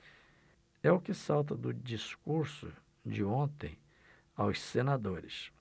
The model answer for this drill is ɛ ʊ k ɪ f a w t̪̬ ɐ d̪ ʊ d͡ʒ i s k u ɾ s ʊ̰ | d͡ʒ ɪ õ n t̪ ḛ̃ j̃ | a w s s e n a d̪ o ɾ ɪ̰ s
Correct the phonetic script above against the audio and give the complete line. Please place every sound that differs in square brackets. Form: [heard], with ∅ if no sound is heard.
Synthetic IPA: ɛ ʊ k ɪ [s] a w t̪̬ ɐ d̪ ʊ d͡ʒ i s k u ɾ s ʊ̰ | d͡ʒ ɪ õ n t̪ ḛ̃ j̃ | a w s s e n a d̪ o ɾ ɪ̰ s